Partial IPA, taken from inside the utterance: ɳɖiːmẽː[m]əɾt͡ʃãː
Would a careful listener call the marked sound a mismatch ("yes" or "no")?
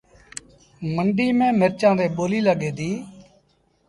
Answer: no